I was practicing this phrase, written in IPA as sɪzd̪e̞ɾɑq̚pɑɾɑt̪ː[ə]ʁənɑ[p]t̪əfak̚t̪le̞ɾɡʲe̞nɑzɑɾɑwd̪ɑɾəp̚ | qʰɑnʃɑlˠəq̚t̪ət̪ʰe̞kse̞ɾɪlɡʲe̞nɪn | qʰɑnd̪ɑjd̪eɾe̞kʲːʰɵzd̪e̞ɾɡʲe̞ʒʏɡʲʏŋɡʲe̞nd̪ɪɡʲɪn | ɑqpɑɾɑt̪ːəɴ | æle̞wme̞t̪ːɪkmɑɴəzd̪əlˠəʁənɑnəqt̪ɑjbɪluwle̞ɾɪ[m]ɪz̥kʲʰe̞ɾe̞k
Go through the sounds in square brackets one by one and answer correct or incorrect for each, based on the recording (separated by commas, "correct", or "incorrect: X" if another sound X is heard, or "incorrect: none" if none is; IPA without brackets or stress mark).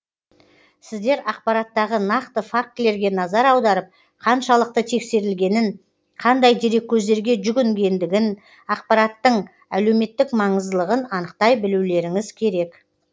incorrect: ɑ, incorrect: q, incorrect: ŋ